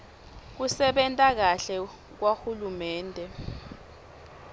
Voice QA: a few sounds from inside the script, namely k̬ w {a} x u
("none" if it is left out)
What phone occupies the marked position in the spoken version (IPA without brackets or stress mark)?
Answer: a